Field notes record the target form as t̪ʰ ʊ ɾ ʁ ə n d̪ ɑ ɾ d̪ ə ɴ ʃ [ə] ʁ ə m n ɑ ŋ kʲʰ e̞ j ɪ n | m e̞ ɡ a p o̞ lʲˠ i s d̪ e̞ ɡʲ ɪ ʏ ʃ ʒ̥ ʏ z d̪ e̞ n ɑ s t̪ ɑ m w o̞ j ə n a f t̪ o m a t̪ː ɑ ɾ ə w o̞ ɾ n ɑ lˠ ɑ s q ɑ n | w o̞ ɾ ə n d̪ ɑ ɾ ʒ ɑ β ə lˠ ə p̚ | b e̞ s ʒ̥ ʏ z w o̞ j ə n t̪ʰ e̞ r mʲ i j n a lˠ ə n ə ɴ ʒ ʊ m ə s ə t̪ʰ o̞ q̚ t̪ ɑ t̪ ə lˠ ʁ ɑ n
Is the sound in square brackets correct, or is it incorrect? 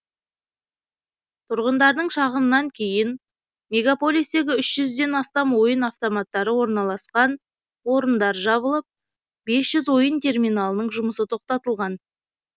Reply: incorrect